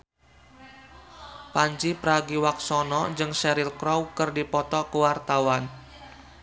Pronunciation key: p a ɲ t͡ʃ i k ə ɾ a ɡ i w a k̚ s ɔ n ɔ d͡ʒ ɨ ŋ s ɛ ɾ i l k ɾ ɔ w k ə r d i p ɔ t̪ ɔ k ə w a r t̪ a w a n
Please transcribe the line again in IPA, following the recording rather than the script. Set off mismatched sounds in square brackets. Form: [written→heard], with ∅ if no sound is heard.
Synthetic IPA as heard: p a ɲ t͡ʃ i [k→p] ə ɾ a ɡ i w a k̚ s ɔ n ɔ d͡ʒ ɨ ŋ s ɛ ɾ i l k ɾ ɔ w k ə r d i p ɔ t̪ ɔ k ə w a r t̪ a w a n